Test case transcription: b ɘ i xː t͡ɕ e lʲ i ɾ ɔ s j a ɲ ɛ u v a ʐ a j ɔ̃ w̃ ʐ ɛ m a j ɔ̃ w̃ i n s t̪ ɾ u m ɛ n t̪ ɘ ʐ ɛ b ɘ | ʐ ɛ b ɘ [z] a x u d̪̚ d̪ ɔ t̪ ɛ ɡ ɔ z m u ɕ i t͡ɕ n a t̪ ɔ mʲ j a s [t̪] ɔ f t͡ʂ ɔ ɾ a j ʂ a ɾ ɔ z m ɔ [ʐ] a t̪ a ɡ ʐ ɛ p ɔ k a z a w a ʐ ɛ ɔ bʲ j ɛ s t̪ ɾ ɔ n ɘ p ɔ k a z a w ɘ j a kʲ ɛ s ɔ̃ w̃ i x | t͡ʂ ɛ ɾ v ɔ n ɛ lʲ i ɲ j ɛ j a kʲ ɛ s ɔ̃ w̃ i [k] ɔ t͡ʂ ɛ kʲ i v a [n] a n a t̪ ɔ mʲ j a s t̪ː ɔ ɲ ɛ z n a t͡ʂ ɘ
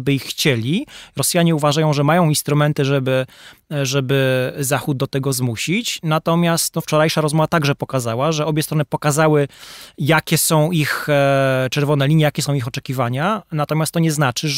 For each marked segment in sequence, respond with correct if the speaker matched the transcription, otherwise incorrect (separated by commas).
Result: correct, correct, incorrect, incorrect, incorrect